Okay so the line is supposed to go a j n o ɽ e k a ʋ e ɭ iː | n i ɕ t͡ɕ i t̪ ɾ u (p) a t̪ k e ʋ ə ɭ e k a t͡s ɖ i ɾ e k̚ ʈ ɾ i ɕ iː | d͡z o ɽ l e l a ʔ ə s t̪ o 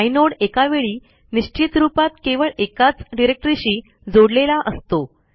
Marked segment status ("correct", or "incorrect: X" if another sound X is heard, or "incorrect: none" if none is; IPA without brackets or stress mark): correct